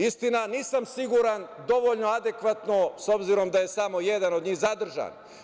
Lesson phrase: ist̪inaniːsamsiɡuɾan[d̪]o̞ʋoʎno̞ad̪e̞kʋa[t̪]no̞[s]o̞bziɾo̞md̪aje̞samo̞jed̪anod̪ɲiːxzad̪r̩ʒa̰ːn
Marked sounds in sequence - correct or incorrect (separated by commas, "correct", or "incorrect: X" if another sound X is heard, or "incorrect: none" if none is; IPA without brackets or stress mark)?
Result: correct, correct, correct